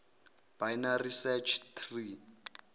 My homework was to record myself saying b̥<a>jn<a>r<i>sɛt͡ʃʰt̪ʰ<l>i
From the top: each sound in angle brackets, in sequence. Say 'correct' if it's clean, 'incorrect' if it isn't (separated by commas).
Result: correct, correct, correct, incorrect